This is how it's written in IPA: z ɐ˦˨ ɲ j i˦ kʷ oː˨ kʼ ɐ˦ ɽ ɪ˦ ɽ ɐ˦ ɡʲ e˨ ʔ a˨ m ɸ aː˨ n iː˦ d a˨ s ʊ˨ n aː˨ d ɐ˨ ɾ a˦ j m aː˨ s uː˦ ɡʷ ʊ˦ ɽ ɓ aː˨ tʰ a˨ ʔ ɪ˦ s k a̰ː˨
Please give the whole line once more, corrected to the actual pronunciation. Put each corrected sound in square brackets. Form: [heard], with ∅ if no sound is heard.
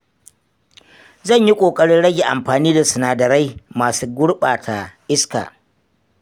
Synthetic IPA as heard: z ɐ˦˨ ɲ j i˦ [kʷʼ] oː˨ kʼ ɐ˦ ɽ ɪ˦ ɽ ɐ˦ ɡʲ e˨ ʔ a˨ m ɸ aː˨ n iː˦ d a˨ s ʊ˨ n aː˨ d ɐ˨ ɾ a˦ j m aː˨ s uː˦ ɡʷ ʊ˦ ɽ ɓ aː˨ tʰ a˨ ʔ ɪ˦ s k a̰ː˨